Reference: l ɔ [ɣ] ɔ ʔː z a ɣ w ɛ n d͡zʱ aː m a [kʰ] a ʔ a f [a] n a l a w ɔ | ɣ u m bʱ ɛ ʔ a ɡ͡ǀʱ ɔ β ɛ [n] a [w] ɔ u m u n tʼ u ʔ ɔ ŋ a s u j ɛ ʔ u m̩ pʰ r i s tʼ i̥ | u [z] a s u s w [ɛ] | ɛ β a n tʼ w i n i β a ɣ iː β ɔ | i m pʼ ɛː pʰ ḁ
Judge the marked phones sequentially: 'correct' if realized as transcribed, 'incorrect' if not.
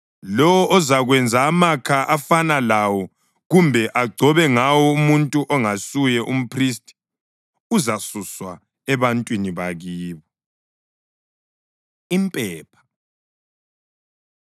incorrect: w, correct, correct, incorrect: ŋ, correct, correct, incorrect: a

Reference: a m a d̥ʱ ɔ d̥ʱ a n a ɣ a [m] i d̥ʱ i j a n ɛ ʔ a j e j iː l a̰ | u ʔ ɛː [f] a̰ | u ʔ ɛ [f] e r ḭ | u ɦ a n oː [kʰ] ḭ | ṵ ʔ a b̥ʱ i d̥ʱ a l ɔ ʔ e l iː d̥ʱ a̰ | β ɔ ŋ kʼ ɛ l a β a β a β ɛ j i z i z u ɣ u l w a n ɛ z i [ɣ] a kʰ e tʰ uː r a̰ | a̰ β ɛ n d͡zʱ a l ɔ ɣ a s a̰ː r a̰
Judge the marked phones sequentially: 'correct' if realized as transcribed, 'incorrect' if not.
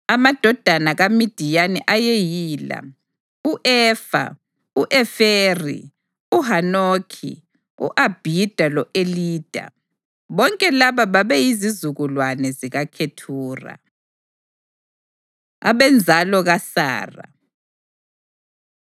correct, correct, correct, correct, correct

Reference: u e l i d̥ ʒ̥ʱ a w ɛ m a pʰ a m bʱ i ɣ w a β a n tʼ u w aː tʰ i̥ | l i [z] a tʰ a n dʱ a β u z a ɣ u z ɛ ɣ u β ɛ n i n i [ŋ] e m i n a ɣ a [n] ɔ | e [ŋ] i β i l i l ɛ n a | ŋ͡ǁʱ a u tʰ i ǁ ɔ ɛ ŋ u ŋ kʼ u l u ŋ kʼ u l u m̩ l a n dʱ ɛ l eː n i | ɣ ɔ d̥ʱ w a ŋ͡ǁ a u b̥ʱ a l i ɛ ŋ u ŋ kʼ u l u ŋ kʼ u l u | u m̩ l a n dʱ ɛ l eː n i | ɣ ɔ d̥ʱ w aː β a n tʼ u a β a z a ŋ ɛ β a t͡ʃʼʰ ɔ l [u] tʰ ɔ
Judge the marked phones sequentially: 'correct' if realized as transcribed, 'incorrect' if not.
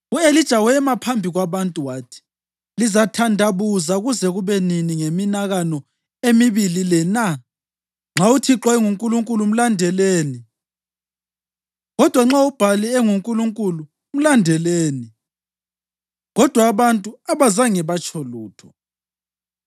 correct, correct, correct, incorrect: m, incorrect: uː

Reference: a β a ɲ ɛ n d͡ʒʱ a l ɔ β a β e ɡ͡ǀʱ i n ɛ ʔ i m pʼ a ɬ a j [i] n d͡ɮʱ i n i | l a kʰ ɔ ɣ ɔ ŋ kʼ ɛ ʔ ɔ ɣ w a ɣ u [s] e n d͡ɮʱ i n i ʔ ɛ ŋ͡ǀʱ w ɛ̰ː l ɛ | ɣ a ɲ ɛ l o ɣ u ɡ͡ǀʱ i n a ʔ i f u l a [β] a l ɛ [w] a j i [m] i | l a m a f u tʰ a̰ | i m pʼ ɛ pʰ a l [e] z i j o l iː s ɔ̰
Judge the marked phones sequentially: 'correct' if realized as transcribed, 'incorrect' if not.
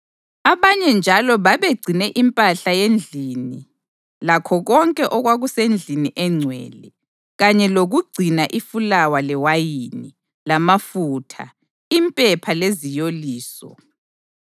incorrect: e, correct, incorrect: w, correct, incorrect: n, correct

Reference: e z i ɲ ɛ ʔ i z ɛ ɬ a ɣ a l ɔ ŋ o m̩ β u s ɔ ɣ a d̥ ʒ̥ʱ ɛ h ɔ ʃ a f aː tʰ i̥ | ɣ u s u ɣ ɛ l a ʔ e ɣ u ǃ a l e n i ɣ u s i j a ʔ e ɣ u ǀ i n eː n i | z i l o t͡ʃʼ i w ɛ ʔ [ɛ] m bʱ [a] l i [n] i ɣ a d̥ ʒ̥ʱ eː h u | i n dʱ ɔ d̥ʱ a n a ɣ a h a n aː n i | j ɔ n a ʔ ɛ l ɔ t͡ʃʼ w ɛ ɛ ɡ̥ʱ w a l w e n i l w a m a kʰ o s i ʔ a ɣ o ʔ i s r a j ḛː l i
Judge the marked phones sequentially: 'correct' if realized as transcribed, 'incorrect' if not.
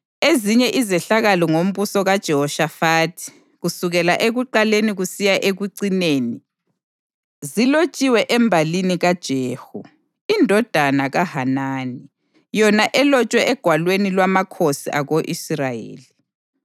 correct, correct, correct

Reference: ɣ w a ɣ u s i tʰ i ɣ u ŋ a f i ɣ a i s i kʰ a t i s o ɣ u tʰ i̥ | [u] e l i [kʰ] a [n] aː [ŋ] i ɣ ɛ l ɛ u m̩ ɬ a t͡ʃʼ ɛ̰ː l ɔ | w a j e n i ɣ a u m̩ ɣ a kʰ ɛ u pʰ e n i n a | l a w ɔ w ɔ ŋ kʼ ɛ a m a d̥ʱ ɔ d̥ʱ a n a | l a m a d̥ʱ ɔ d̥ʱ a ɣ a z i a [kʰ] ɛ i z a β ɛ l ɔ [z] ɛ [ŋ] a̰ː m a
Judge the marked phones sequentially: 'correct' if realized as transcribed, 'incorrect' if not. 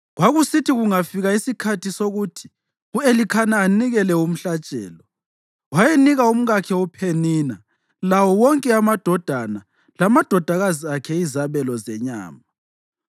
correct, correct, correct, incorrect: n, correct, correct, incorrect: ɲ

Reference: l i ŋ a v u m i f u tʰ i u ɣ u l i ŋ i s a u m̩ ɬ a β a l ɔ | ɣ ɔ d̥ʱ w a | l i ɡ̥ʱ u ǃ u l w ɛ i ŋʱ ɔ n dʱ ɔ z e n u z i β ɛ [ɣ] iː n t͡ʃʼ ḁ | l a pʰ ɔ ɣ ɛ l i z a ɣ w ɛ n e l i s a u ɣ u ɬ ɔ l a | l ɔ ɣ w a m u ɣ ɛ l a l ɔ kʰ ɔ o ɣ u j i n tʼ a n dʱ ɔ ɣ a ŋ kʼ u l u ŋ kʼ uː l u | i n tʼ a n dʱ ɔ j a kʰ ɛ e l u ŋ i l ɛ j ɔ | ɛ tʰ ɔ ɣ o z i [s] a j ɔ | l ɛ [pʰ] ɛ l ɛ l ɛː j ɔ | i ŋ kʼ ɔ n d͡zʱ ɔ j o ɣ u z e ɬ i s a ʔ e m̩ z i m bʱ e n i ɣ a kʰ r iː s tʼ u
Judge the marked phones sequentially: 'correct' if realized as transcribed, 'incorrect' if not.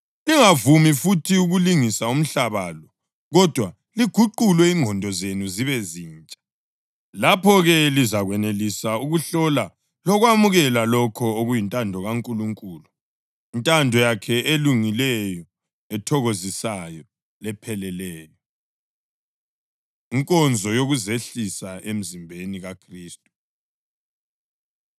incorrect: z, correct, correct

